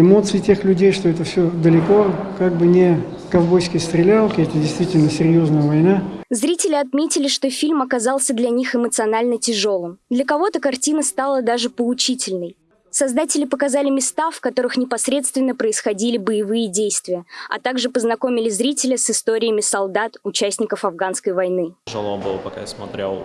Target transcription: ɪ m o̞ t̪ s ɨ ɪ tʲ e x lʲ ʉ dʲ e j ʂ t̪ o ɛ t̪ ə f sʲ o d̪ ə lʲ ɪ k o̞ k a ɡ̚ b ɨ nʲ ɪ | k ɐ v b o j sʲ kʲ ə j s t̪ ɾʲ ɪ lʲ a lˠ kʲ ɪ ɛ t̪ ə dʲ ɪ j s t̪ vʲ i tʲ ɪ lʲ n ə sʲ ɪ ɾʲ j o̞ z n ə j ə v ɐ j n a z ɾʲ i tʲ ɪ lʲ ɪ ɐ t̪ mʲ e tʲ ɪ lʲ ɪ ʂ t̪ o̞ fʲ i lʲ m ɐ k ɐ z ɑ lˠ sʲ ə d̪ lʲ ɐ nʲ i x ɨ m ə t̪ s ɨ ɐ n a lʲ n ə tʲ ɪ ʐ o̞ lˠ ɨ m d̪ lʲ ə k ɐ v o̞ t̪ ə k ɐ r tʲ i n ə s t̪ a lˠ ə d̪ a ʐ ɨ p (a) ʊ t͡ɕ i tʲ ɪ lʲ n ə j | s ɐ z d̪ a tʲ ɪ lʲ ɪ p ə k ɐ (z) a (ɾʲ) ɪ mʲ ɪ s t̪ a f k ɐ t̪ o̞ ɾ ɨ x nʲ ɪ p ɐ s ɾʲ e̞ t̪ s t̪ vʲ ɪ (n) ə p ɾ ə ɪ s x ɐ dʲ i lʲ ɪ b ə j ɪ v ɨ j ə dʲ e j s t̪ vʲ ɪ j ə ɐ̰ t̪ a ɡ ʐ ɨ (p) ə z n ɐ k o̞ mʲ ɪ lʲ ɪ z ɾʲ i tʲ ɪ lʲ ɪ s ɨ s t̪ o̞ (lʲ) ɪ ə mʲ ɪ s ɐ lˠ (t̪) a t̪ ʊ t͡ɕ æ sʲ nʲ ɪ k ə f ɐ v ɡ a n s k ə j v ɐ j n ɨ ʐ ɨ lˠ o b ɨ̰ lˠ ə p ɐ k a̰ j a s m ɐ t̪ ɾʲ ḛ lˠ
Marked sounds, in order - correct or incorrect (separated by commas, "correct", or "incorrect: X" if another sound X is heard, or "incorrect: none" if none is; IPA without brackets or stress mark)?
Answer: incorrect: ə, correct, incorrect: lʲ, incorrect: nː, correct, incorrect: ɾʲ, incorrect: d̪